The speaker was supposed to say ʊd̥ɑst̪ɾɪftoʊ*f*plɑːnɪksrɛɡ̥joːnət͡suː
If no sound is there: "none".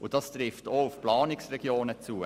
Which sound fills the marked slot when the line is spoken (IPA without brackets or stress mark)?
f